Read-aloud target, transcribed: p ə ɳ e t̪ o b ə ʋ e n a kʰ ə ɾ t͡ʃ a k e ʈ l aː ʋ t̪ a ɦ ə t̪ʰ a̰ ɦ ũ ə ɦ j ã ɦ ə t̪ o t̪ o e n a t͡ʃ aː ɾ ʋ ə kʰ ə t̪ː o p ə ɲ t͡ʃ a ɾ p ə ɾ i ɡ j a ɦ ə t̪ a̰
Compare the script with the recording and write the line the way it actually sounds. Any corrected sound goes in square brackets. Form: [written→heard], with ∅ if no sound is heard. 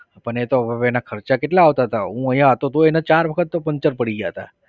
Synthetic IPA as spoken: p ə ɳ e t̪ o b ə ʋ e n a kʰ ə ɾ t͡ʃ a k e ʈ l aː ʋ t̪ a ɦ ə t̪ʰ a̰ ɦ ũ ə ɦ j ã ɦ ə t̪ o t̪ o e n a t͡ʃ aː ɾ ʋ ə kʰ ə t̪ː o p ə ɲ t͡ʃ [a→ə] ɾ p ə [ɾ→ɽ] i ɡ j a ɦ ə t̪ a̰